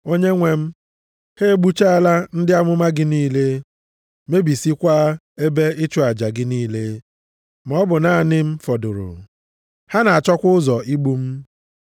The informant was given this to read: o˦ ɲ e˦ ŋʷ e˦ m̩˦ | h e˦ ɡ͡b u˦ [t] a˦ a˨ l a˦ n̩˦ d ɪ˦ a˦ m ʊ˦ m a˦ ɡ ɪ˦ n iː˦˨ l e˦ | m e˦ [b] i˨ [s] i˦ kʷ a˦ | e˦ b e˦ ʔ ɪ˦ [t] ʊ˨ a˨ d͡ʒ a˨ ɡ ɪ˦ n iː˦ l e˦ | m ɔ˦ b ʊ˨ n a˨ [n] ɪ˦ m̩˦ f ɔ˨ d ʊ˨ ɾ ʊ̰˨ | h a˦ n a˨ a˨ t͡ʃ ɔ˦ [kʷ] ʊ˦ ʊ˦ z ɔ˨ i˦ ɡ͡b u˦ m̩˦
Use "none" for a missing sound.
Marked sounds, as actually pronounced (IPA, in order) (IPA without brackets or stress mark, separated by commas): t͡ʃ, b, s, t͡ʃ, n, kʷ